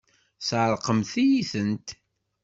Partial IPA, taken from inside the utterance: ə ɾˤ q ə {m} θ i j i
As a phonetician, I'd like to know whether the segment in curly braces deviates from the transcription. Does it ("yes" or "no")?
no